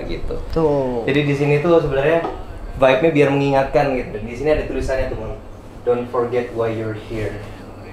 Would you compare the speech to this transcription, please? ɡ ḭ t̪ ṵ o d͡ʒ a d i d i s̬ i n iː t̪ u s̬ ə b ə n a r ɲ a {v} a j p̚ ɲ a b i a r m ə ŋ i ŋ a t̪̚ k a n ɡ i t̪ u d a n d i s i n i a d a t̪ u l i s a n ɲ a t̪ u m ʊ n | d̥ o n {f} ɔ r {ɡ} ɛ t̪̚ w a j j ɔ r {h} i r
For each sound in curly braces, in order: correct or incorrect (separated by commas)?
correct, correct, correct, correct